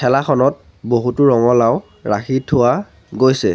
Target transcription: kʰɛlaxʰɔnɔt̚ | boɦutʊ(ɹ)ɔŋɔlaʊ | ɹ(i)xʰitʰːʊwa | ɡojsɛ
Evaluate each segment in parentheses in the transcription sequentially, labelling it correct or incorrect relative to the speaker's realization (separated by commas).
correct, incorrect